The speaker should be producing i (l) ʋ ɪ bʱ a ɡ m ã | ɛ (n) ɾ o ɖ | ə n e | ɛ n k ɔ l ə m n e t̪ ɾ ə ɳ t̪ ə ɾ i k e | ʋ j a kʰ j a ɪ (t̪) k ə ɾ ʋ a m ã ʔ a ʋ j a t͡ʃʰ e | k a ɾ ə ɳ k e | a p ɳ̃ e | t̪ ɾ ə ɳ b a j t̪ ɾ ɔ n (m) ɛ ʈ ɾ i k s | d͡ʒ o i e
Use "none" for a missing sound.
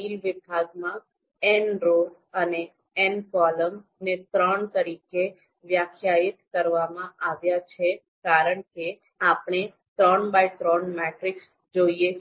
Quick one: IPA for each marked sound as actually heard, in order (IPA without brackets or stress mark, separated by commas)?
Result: l, n, t̪, m